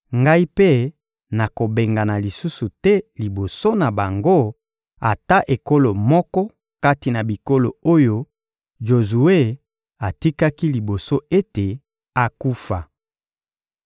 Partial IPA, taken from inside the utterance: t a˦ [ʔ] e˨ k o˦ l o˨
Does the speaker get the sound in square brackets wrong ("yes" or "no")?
no